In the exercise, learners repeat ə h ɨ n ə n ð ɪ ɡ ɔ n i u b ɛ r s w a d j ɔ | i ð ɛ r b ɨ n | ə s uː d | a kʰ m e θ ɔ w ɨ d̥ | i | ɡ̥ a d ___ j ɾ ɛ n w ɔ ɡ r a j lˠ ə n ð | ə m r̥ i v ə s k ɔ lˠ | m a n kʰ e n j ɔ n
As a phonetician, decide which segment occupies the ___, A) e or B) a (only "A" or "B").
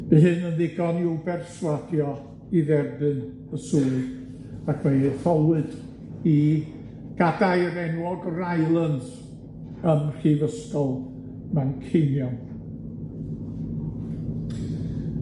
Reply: B